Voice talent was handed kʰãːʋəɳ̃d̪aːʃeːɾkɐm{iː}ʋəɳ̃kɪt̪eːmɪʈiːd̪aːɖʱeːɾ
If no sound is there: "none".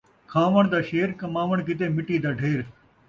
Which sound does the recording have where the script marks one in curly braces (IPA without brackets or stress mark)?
aː